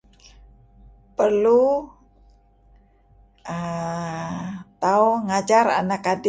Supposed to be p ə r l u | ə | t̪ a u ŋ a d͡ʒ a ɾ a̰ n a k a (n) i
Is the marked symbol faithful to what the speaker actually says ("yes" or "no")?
no